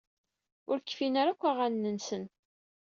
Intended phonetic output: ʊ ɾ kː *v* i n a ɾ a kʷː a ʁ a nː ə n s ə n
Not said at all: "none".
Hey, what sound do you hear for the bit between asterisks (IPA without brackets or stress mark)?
f